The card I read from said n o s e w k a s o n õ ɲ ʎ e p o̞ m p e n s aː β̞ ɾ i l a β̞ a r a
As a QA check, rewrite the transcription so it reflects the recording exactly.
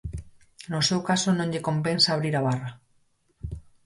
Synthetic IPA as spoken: n o s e w k a s o n õ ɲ ʎ e k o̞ m p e n s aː β̞ ɾ i ɾ a β̞ a r a